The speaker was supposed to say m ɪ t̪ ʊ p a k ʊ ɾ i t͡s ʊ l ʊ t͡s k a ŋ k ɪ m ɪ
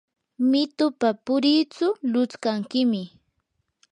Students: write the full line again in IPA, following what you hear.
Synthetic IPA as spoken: m ɪ t̪ ʊ p a p ʊ ɾ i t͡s ʊ l ʊ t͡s k a ŋ k ɪ m ɪ